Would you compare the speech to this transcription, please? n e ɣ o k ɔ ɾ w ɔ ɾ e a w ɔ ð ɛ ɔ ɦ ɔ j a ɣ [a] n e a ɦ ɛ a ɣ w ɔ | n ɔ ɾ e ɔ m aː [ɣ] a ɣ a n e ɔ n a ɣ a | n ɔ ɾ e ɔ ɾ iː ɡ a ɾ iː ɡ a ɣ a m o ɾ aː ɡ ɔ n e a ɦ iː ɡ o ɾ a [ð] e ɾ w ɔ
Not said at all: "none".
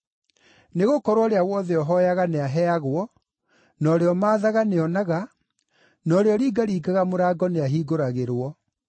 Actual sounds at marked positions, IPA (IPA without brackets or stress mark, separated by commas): a, ð, ɣ